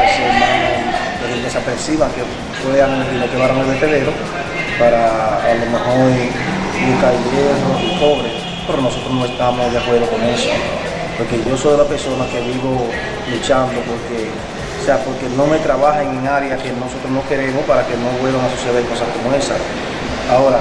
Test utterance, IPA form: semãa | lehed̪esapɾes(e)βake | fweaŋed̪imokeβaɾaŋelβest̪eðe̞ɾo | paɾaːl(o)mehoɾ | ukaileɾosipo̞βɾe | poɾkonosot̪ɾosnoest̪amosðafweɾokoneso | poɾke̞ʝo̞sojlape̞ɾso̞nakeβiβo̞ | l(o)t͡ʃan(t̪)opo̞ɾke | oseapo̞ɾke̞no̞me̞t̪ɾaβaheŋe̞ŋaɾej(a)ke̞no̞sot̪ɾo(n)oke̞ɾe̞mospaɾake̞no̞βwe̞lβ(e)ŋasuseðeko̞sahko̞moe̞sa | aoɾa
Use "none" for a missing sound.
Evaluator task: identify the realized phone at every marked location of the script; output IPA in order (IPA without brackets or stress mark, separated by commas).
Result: i, o, u, d̪, a, n, a